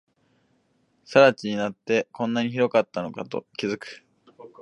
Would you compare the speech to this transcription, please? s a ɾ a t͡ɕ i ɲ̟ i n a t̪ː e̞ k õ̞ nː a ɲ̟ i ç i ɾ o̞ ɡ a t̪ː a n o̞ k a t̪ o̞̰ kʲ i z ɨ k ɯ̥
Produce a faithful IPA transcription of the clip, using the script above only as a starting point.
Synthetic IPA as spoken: s a ɾ a t͡ɕ i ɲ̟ i n a t̪ː e̞ k õ̞ nː a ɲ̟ i ç i ɾ o̞ k a t̪ː a n o̞ k a t̪ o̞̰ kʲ i z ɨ k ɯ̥